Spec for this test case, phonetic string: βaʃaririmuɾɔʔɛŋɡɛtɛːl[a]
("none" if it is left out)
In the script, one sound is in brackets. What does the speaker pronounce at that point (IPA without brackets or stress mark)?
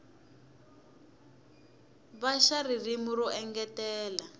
a